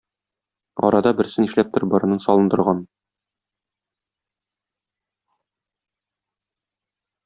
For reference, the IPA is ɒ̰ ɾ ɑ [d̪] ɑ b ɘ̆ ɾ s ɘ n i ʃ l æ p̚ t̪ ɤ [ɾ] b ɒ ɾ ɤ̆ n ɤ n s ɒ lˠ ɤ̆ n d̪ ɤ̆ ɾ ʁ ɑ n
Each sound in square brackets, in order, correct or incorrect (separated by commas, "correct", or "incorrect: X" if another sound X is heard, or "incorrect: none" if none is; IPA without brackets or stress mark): correct, correct